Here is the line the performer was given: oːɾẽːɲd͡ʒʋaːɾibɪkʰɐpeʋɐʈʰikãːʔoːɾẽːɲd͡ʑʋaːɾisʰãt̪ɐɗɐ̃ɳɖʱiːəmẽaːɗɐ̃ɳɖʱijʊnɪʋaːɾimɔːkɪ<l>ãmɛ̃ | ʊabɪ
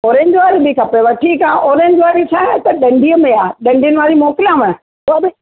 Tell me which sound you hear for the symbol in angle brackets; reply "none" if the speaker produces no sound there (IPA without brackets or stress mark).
l